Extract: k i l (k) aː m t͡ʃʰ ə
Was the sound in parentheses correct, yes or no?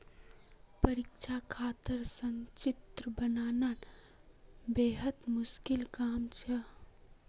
yes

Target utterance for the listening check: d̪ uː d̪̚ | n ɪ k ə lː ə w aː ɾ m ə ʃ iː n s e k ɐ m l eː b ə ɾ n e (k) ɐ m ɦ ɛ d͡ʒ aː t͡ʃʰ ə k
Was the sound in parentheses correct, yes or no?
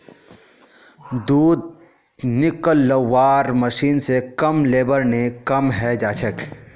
yes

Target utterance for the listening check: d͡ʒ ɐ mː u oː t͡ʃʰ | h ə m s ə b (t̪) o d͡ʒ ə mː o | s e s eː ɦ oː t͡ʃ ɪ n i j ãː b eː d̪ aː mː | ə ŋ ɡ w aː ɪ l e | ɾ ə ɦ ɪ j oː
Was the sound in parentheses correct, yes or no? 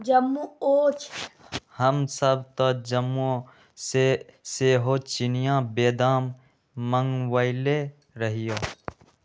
yes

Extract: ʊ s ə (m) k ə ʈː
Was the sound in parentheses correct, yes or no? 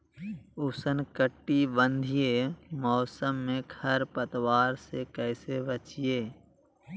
no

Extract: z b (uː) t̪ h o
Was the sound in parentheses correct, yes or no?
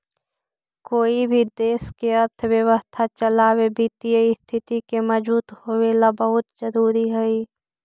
yes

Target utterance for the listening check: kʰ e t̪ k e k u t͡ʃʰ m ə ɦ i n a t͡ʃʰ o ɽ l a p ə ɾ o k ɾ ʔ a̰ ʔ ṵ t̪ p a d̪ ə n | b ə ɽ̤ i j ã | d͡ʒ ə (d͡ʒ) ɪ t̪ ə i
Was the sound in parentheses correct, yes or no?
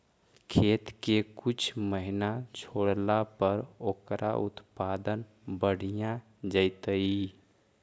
no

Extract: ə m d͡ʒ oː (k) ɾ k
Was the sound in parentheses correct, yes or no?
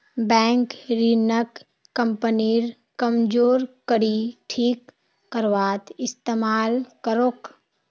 no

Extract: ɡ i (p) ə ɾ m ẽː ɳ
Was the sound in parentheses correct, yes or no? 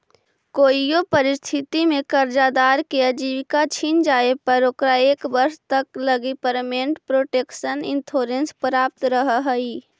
yes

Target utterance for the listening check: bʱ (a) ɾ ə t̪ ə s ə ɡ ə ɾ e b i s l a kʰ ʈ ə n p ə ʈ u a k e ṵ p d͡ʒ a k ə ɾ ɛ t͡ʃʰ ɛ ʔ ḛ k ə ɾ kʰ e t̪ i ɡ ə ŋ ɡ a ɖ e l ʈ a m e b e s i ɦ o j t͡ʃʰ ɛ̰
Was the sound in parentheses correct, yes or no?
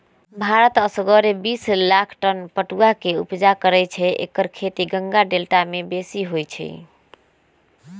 yes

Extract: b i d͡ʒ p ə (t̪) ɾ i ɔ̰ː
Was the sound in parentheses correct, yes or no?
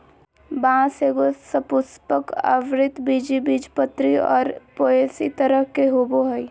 yes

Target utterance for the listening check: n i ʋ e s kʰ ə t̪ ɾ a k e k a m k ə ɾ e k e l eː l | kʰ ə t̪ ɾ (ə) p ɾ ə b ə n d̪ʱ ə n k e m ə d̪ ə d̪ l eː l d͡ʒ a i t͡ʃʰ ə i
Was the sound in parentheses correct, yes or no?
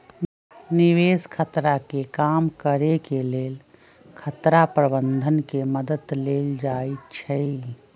no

